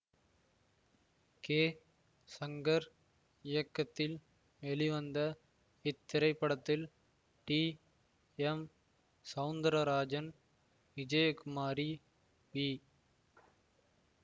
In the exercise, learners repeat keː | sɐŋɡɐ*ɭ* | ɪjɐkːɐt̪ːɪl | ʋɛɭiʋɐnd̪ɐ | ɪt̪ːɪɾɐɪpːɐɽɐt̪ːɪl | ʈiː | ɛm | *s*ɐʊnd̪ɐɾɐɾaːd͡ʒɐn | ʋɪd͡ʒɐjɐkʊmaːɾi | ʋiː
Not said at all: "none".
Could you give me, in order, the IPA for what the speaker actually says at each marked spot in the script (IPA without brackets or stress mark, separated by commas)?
ɾ, s